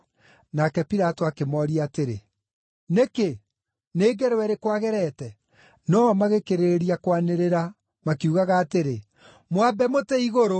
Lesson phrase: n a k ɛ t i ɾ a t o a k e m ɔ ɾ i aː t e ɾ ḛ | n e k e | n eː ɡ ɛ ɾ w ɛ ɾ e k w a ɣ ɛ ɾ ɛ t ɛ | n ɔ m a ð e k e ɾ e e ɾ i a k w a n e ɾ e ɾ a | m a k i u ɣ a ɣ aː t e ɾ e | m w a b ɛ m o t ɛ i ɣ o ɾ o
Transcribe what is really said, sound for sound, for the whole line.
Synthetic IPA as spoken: n a k ɛ p i ɾ a t o a k e m ɔ ɾ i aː t e ɾ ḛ | n e k e | n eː ɡ ɛ ɾ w ɛ ɾ e k w a ɣ ɛ ɾ ɛ t ɛ | n ɔ m a ɣ e k e ɾ e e ɾ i a k w a n e ɾ e ɾ a | m a k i u ɣ a ɣ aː t e ɾ e | m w a b ɛ m o t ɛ i ɣ o ɾ o